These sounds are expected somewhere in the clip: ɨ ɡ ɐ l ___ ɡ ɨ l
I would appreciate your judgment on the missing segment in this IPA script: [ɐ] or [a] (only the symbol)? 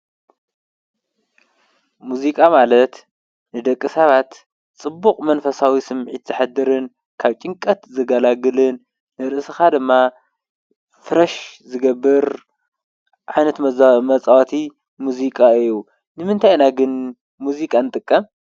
a